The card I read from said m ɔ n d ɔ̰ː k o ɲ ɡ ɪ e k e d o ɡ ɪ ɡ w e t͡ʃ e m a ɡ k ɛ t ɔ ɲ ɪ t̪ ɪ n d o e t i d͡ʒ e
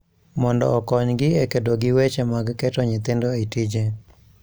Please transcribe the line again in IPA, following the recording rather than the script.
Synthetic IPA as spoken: m ɔ n d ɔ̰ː k ɔ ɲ ɡ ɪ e k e d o ɡ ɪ w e t͡ʃ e m a ɡ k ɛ t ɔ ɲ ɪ t̪ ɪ n d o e t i d͡ʒ e